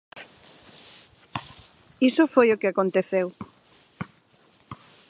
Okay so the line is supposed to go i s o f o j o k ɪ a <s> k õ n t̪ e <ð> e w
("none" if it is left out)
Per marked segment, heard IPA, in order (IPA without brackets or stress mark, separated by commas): none, θ